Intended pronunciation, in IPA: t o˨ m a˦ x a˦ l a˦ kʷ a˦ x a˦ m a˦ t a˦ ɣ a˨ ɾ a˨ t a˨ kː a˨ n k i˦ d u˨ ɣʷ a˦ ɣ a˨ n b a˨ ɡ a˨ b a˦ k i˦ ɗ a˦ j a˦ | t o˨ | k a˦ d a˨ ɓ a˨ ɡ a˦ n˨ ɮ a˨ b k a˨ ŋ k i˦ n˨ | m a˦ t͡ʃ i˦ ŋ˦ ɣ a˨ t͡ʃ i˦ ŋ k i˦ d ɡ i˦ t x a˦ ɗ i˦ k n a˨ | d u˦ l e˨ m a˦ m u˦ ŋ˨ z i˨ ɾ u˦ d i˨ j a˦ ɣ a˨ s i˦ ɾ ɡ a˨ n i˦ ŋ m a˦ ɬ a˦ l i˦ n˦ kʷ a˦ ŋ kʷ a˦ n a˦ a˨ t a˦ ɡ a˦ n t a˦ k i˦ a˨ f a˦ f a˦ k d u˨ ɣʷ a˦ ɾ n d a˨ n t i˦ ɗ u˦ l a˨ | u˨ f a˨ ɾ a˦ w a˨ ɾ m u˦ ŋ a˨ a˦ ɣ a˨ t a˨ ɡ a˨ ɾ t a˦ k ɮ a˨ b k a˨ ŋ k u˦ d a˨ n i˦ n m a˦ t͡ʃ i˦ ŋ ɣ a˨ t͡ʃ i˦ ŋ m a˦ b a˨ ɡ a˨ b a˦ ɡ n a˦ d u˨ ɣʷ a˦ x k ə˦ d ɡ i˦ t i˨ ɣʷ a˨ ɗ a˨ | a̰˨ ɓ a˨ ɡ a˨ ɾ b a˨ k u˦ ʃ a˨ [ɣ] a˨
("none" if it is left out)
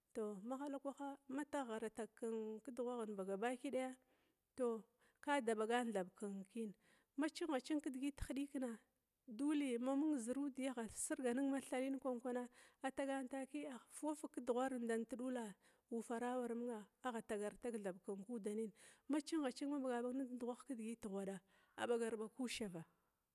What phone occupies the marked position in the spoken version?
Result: v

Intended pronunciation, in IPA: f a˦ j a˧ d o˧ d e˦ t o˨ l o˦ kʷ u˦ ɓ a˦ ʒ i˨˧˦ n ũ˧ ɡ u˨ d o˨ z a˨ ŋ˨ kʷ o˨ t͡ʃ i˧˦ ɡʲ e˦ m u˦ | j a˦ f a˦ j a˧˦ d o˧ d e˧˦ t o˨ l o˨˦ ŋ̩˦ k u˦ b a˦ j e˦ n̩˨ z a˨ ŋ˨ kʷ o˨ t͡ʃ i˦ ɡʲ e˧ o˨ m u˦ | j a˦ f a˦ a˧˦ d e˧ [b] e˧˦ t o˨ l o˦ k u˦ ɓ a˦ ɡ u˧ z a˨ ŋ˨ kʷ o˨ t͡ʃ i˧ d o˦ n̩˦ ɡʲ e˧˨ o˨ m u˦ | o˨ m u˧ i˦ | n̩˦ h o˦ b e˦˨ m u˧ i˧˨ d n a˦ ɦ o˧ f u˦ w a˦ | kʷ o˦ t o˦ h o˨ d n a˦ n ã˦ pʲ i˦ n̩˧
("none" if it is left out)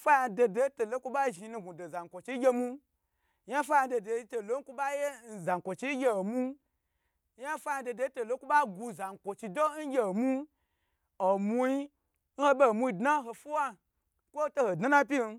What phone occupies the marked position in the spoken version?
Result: d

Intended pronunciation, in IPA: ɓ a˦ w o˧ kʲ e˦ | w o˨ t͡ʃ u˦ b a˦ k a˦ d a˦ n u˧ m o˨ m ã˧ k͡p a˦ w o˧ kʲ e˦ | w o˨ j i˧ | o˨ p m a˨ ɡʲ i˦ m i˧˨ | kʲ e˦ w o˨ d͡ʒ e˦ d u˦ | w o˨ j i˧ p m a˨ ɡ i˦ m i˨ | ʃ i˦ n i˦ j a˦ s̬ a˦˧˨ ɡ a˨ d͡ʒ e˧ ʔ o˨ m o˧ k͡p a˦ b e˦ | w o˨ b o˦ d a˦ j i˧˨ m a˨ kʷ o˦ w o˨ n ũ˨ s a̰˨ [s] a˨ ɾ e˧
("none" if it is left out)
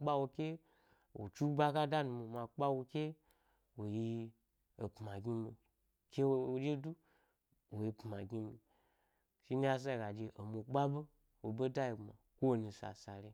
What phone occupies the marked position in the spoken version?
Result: s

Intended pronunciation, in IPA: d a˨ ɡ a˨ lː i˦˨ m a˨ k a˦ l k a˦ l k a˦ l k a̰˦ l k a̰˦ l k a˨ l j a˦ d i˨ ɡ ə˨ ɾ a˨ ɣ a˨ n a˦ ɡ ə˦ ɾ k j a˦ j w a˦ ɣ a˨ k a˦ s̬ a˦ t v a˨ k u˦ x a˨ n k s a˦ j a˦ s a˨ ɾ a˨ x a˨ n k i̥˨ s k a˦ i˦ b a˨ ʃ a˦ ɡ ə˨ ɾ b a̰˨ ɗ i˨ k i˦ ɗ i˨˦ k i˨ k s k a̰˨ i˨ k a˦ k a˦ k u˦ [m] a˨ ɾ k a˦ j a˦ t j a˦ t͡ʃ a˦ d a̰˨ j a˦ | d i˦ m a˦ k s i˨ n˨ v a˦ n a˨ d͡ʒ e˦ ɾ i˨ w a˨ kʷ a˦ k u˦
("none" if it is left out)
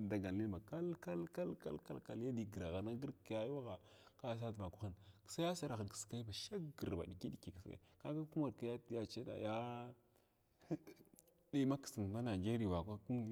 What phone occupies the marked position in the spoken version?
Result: m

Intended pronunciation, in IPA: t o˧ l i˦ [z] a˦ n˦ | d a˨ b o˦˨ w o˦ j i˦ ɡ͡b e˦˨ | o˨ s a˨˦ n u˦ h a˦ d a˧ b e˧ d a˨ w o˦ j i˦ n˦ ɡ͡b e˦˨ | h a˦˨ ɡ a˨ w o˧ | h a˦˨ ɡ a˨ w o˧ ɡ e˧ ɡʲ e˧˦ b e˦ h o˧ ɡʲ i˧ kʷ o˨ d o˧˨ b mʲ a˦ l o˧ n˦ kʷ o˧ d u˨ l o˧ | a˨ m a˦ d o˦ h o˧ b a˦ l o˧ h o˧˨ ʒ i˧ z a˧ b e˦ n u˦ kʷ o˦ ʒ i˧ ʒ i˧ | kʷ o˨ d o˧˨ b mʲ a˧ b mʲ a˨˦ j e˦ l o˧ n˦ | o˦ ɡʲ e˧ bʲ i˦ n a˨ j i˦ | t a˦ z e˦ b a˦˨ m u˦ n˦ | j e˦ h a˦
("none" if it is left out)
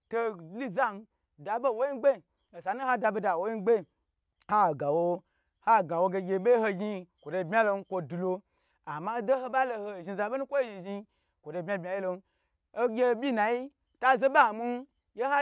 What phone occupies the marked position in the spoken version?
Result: z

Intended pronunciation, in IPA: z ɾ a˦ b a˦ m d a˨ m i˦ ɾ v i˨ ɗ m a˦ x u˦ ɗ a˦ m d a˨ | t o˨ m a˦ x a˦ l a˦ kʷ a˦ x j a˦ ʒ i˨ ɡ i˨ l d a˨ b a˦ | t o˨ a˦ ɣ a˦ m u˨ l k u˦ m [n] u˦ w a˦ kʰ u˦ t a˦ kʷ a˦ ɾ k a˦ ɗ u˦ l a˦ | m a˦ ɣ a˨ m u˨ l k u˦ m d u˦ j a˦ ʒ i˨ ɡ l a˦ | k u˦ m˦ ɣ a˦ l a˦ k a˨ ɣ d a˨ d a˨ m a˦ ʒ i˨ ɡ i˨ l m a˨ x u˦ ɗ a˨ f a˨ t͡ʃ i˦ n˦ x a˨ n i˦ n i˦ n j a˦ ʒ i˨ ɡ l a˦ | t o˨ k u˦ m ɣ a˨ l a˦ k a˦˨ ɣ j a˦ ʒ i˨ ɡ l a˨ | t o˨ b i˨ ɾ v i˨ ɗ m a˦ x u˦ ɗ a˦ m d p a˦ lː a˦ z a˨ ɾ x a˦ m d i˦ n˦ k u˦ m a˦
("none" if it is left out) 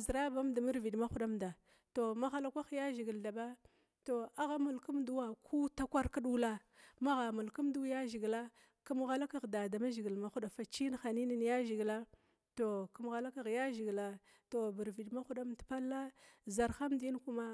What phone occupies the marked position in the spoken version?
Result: d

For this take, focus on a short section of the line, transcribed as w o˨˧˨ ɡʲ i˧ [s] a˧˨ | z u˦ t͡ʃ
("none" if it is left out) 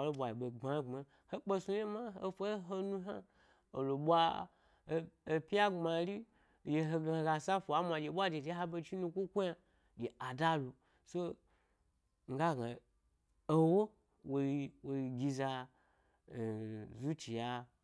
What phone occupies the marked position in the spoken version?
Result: z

